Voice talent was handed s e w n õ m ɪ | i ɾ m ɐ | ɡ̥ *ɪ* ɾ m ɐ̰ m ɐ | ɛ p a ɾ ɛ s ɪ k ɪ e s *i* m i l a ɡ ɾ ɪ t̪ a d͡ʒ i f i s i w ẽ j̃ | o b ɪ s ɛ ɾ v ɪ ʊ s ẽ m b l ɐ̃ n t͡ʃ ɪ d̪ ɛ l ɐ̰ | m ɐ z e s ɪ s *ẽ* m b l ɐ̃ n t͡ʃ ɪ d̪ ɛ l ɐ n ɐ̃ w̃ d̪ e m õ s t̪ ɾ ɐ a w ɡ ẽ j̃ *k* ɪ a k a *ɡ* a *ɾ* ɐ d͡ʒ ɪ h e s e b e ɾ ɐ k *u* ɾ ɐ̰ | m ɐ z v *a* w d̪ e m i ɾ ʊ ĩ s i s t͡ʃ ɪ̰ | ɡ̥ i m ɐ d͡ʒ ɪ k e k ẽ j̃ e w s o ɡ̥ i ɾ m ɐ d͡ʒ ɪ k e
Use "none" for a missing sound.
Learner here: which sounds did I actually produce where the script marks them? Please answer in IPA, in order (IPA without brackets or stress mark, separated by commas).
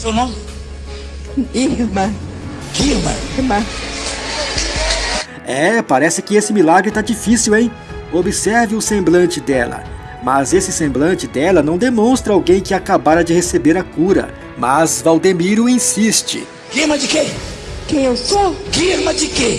i, ɪ, ẽ, k, b, ɾ, u, a